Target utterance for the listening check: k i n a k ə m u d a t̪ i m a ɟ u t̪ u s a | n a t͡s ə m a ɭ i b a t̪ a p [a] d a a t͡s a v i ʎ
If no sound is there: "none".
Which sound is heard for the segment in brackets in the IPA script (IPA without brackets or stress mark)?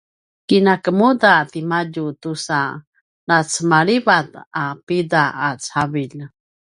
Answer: i